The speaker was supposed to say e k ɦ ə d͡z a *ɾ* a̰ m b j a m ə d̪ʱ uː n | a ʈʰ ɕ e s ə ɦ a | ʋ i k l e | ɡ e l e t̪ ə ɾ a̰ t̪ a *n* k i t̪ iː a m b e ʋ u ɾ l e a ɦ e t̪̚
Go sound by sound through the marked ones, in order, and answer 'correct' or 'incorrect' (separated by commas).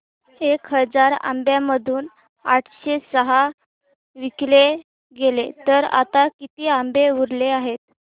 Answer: correct, incorrect